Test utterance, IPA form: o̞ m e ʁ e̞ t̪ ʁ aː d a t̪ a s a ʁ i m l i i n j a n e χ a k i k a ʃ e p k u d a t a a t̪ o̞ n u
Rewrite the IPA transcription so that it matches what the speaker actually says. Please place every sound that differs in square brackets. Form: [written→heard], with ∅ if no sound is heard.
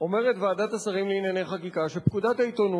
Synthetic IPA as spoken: o̞ m e ʁ e̞ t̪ [ʁ→v] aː d a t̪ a s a ʁ i m l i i n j a n e χ a k i k a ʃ e p k u d a t a [a→i] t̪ o̞ n u